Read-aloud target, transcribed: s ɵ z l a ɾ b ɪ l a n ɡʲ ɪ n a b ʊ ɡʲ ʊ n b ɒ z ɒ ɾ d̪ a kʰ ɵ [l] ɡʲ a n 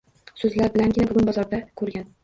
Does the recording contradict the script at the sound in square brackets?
yes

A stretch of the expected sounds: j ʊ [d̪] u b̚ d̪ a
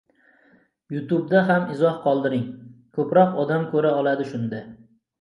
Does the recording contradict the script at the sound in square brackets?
yes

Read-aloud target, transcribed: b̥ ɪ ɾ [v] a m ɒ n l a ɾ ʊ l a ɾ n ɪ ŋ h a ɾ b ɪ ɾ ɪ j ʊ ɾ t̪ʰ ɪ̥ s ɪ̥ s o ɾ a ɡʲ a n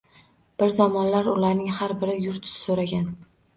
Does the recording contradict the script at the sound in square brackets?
yes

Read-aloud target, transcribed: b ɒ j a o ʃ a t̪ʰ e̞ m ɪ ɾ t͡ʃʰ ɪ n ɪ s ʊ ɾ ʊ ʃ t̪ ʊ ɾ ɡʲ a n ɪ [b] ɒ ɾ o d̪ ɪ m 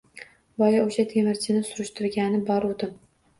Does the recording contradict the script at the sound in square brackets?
no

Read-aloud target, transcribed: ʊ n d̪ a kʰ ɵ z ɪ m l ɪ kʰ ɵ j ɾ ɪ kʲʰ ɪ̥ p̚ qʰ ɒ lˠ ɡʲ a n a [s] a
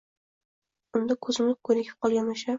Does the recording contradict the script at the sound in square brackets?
yes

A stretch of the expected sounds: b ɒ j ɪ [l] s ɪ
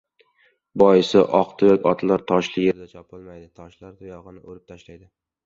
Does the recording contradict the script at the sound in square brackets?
yes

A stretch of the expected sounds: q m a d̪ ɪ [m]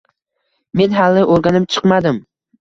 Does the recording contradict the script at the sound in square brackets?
no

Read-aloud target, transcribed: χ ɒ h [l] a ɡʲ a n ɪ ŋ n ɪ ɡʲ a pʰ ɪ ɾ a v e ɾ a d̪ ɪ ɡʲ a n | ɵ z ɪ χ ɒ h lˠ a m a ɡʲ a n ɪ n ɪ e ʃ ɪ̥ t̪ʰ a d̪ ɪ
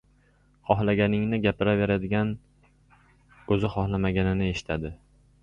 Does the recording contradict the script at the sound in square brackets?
no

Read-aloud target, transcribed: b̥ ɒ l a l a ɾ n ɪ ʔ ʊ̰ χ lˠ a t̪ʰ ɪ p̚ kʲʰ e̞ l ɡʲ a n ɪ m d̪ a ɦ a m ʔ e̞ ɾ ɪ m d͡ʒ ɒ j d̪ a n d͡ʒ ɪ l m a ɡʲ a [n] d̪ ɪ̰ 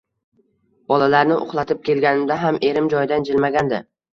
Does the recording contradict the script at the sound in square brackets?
no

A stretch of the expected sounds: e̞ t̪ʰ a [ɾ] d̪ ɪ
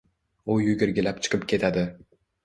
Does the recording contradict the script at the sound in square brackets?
yes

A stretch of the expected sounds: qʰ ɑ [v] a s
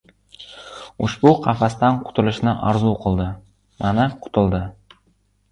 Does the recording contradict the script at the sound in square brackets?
yes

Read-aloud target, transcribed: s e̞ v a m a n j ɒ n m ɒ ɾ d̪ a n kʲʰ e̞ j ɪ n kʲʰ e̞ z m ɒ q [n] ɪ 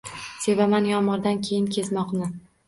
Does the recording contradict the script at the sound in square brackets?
no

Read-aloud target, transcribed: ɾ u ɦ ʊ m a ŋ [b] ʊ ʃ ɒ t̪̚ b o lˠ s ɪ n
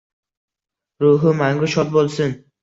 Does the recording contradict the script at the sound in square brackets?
yes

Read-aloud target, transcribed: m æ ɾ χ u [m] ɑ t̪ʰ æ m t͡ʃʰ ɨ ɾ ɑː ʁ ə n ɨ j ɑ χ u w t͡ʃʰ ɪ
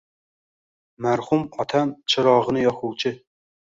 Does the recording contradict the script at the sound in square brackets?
no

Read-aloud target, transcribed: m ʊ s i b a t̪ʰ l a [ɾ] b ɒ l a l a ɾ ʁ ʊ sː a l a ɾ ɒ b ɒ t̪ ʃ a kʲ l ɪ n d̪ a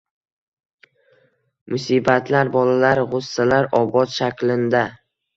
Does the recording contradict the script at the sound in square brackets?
no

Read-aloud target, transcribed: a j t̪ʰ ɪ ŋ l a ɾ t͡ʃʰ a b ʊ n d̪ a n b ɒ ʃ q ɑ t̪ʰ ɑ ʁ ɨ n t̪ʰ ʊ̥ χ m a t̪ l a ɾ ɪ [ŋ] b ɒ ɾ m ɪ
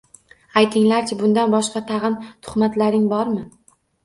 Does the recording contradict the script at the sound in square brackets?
no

